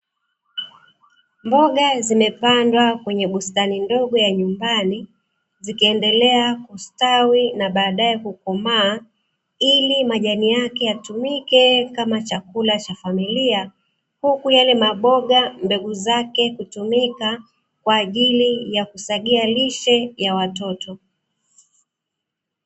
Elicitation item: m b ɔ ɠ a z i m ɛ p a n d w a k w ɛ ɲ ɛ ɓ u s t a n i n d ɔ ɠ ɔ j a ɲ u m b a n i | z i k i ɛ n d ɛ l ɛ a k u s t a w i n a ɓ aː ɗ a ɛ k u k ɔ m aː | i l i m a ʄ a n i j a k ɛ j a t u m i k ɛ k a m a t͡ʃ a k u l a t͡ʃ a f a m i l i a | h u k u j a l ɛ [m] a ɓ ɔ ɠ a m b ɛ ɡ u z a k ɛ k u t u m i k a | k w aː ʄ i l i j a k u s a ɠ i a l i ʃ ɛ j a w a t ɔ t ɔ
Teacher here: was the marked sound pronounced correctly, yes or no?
yes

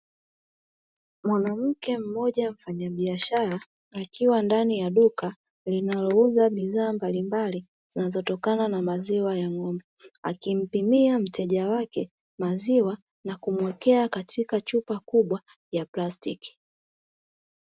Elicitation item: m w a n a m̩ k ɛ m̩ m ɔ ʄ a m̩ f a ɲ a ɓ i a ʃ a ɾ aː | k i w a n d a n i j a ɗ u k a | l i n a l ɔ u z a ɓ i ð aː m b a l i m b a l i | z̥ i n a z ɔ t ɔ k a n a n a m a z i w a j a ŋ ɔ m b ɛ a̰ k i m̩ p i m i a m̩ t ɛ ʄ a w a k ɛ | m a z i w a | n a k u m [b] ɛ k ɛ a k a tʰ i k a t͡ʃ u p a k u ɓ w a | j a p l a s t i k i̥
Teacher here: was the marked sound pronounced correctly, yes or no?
no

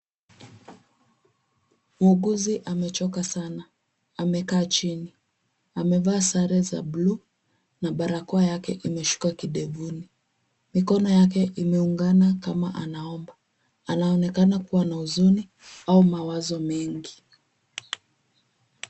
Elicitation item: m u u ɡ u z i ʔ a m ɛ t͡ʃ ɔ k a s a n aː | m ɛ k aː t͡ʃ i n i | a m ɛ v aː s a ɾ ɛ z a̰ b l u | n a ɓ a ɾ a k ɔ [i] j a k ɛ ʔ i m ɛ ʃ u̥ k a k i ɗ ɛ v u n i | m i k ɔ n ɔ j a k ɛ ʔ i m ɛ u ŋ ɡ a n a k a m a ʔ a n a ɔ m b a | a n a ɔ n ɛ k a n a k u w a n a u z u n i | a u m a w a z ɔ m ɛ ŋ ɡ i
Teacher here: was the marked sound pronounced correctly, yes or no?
no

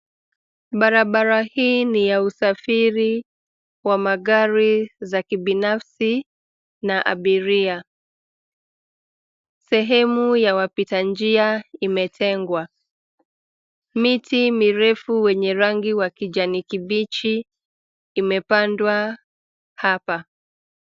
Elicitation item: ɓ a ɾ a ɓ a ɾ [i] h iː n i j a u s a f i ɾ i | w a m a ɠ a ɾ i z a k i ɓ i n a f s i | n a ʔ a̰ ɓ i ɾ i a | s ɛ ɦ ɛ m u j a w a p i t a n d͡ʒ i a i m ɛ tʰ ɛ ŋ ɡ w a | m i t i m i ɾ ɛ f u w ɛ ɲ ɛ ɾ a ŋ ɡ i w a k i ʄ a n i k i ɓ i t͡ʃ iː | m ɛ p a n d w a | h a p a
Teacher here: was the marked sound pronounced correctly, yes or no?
no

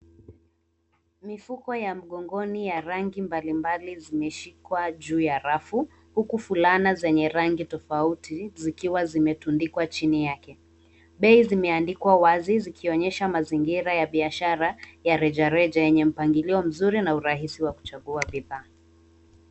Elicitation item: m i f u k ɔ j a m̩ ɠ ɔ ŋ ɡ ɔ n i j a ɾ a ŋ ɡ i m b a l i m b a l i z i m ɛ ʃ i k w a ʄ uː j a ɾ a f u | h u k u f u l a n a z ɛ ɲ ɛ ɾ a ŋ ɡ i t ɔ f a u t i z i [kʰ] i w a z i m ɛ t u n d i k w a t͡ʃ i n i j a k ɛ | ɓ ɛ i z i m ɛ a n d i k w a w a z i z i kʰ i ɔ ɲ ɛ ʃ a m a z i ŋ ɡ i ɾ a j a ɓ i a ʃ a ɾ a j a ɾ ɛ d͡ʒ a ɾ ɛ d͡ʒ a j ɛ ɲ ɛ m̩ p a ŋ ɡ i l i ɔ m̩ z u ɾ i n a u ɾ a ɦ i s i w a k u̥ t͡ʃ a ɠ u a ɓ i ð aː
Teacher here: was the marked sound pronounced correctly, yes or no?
no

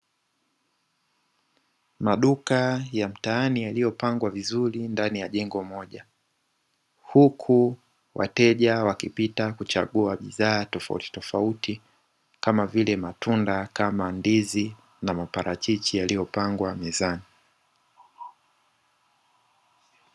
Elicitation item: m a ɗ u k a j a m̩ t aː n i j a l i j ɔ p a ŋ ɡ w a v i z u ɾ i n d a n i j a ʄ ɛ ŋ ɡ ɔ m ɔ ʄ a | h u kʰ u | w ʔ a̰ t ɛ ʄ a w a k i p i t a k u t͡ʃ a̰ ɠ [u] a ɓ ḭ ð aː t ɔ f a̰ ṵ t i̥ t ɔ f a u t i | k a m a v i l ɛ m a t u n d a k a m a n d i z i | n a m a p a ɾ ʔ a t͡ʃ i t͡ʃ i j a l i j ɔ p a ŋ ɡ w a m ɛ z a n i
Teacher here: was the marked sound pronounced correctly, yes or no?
yes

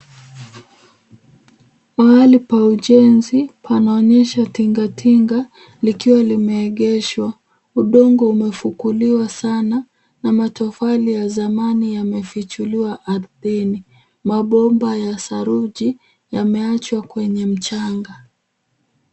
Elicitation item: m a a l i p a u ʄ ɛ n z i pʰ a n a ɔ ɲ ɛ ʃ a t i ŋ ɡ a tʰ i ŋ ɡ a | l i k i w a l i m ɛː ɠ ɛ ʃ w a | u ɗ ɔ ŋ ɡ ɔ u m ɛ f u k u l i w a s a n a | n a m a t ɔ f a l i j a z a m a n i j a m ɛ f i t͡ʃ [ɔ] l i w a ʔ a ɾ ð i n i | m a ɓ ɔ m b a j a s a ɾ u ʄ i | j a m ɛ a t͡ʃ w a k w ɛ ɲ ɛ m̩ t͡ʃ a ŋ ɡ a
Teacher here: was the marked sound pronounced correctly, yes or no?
no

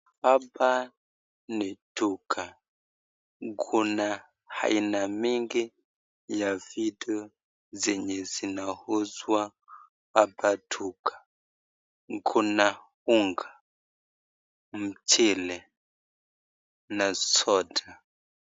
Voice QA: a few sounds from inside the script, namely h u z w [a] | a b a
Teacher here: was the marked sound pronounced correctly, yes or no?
yes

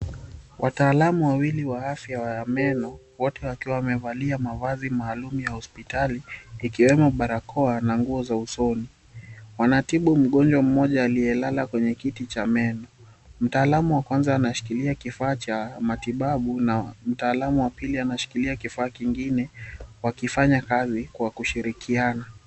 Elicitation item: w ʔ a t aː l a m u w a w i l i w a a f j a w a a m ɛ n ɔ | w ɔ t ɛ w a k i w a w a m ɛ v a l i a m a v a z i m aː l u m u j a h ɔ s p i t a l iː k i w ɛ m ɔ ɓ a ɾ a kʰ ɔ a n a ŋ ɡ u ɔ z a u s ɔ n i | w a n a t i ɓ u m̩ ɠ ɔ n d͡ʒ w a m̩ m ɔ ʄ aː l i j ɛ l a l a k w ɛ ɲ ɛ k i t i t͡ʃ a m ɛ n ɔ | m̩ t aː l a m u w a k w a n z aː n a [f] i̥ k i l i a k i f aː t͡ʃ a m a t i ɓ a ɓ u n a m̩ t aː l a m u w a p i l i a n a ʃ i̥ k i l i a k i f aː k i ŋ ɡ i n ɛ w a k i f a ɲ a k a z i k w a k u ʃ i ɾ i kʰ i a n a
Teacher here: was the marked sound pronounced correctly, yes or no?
no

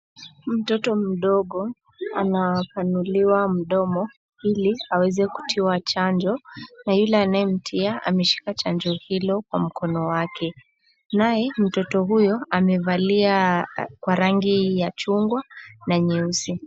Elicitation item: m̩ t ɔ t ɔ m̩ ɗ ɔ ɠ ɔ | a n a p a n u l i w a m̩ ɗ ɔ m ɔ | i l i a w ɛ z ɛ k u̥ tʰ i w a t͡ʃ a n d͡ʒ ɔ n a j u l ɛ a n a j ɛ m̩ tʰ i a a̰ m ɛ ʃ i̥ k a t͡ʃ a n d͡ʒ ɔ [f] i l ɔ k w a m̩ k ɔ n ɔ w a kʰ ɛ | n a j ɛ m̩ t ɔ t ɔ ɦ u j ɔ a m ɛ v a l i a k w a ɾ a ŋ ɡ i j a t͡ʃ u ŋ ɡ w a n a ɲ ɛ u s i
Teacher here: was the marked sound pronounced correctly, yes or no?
no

